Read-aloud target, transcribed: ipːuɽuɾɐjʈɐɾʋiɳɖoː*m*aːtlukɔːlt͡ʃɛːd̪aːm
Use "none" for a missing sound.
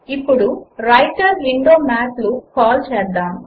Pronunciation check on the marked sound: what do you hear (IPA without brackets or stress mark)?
m